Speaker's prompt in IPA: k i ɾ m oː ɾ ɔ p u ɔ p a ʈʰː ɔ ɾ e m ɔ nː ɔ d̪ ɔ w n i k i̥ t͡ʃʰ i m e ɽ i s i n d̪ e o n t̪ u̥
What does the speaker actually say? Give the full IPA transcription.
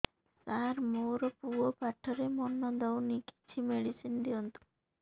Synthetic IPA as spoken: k a ɾ m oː ɾ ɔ p u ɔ p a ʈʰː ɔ ɾ e m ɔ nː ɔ d̪ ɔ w n i k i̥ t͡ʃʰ i m e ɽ i s i n d̪ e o n t̪ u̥